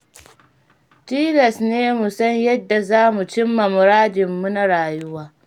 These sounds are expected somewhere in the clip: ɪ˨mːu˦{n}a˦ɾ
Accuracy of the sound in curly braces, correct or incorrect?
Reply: correct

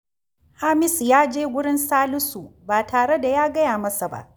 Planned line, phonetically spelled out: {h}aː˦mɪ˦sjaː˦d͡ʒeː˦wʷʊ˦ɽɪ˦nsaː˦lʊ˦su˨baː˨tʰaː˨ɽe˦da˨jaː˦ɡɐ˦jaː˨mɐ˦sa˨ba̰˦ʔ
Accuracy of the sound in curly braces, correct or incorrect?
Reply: correct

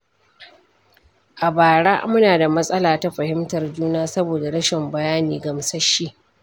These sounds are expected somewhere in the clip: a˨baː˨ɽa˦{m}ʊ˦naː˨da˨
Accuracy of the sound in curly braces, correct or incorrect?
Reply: correct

